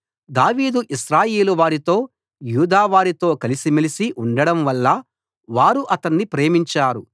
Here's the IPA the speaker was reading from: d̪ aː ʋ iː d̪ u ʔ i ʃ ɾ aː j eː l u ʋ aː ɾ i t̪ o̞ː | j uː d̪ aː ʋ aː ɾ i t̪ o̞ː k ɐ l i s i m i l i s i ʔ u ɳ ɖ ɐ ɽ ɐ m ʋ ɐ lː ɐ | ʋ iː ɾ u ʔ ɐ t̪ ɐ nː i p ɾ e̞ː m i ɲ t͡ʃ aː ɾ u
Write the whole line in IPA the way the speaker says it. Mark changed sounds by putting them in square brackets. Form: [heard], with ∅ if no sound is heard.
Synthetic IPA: d̪ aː ʋ iː d̪ u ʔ i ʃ ɾ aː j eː l u ʋ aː ɾ i t̪ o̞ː | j uː d̪ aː ʋ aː ɾ i t̪ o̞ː k ɐ l i s i m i l i s i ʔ u ɳ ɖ ɐ ɽ ɐ m ʋ ɐ lː ɐ | ʋ [aː] ɾ u ʔ ɐ t̪ ɐ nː i p ɾ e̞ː m i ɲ t͡ʃ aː ɾ u